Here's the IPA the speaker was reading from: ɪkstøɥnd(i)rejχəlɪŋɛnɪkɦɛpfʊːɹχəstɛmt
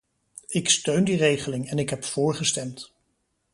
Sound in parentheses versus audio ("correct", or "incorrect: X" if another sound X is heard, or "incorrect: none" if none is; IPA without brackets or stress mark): correct